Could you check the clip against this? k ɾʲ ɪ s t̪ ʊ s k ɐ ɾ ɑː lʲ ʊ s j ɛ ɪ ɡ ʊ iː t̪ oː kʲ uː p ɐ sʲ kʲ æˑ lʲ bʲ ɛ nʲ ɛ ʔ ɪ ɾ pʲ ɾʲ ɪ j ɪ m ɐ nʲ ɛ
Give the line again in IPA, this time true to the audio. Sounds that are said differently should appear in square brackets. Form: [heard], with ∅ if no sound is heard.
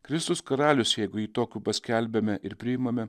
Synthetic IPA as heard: k ɾʲ ɪ s t̪ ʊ s k ɐ ɾ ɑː lʲ ʊ s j ɛ ɪ ɡ ʊ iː t̪ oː kʲ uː p ɐ sʲ kʲ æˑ lʲ bʲ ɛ [mʲ] ɛ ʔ ɪ ɾ pʲ ɾʲ ɪ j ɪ m ɐ [mʲ] ɛ